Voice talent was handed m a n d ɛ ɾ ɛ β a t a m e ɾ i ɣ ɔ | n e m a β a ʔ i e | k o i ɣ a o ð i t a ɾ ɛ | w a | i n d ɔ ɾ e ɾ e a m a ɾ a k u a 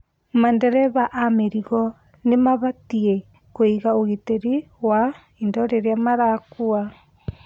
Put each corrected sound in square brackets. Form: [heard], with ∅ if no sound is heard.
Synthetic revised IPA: m a n d ɛ ɾ ɛ β a [ʔ] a m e ɾ i ɣ ɔ | n e m a β a [t] i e | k o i ɣ a o [ɣ] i t [e] ɾ [i] | w a | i n d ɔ ɾ e ɾ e a m a ɾ a k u a